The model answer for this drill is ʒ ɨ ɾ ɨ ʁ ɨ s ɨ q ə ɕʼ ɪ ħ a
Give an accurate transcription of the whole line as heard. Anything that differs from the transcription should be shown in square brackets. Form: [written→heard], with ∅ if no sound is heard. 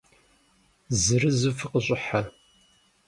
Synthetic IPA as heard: [ʒ→z] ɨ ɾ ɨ [ʁ→z] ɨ [s→f] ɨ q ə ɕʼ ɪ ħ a